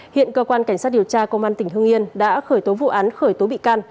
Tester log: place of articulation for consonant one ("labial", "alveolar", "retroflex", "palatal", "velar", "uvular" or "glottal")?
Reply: glottal